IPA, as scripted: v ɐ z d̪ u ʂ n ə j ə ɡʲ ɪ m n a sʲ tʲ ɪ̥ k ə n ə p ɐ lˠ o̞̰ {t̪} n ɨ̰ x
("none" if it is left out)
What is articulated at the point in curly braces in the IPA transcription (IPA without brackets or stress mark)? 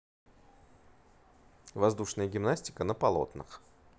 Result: t̪